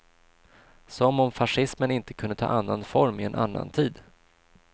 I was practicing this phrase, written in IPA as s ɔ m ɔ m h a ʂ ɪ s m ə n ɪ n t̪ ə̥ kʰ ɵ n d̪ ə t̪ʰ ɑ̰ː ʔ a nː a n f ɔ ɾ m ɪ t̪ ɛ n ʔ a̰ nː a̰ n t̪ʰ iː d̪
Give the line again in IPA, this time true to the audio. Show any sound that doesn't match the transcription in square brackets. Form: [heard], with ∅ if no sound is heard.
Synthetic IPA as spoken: s ɔ m ɔ m [f] a ʂ ɪ s m ə n ɪ n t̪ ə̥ kʰ ɵ n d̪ ə t̪ʰ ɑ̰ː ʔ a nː a n f ɔ ɾ m ɪ [∅] ɛ n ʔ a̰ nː a̰ n t̪ʰ iː d̪